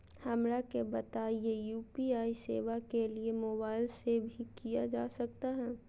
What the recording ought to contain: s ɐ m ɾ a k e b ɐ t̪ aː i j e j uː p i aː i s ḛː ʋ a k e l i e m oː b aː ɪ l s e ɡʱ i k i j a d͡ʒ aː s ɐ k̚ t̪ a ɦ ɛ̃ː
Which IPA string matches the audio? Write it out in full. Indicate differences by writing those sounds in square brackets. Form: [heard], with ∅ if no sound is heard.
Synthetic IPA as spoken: [h] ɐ m ɾ a k e b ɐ t̪ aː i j e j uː p i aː i s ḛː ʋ a k e l i e m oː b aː ɪ l s e [bʱ] i k i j a d͡ʒ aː s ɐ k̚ t̪ a ɦ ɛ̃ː